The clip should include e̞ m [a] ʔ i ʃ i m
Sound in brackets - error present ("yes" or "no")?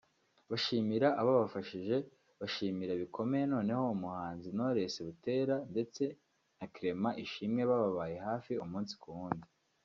no